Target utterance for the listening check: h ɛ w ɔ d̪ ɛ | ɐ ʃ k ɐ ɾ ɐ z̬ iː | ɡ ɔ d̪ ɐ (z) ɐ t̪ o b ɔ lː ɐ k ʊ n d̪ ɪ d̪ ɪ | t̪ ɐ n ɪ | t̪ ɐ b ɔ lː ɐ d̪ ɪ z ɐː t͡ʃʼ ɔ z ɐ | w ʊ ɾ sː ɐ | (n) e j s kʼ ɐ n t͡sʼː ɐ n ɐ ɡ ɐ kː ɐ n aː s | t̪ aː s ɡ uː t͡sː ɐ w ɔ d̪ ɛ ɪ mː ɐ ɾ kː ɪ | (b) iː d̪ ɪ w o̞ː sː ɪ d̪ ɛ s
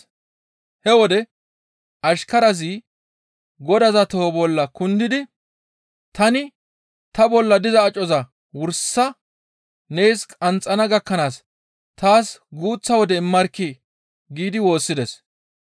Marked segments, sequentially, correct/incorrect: correct, correct, incorrect: ɡ

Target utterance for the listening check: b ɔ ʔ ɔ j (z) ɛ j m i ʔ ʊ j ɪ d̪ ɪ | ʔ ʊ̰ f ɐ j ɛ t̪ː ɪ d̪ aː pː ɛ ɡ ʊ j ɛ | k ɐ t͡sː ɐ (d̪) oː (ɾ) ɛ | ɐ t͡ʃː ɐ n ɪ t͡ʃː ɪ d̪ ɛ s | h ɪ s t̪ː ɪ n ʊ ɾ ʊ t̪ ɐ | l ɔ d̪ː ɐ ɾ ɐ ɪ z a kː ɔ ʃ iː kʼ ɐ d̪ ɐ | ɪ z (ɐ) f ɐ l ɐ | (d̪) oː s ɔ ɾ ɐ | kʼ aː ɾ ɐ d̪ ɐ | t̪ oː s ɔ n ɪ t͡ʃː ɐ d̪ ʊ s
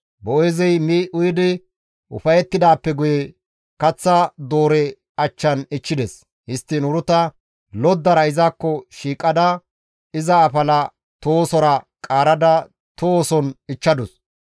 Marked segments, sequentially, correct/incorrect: correct, correct, correct, incorrect: ɐː, incorrect: t̪

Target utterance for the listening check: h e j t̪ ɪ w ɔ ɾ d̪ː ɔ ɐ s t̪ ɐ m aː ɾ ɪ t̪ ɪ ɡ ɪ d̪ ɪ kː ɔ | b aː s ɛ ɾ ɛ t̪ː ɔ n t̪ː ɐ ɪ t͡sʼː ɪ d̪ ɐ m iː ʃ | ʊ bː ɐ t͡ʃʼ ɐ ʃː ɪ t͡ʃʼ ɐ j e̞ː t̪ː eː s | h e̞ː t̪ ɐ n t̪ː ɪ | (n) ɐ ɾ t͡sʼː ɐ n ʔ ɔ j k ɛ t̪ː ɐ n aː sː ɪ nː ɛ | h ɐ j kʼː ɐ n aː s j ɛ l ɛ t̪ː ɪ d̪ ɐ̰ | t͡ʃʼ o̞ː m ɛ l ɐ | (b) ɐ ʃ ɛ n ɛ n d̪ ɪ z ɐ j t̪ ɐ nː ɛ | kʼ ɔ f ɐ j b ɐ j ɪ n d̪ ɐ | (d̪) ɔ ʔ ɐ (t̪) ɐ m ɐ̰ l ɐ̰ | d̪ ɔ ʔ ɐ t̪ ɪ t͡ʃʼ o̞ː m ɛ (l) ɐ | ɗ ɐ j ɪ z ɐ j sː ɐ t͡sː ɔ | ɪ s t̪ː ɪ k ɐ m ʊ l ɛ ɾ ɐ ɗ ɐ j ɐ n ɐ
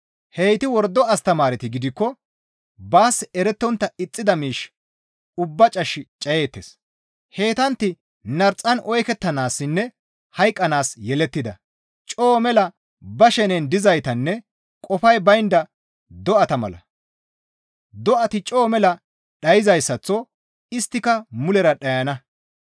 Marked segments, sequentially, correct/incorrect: correct, correct, correct, correct, correct

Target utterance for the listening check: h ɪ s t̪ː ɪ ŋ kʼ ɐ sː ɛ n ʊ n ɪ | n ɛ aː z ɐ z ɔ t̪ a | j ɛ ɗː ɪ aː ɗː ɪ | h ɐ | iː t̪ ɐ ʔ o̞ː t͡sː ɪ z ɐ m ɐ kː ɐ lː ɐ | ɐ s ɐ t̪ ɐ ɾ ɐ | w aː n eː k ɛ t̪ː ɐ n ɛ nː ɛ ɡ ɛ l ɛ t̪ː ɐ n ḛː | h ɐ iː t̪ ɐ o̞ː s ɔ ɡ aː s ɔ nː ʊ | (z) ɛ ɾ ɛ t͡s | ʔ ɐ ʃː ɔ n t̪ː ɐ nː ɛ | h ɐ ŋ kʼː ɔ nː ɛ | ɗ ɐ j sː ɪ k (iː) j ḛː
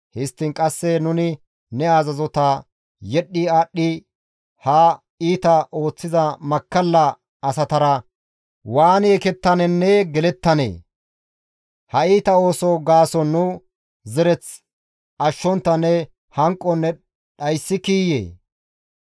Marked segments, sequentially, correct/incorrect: correct, correct

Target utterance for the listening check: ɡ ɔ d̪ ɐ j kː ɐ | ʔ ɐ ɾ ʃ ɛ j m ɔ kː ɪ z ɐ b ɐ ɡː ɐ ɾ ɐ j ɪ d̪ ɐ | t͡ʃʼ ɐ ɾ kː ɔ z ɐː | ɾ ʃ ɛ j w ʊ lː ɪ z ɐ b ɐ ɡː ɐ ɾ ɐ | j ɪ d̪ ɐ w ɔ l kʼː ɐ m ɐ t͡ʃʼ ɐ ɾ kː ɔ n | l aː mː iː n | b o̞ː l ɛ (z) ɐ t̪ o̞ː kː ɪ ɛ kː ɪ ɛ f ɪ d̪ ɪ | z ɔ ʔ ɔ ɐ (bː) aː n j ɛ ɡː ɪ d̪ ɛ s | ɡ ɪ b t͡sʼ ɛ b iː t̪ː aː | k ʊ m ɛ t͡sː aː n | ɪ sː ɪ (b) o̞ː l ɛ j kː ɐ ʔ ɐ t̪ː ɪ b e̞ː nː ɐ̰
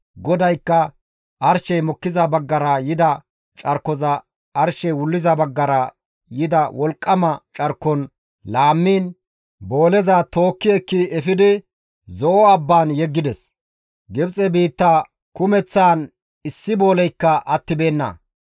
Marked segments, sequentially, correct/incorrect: correct, correct, correct

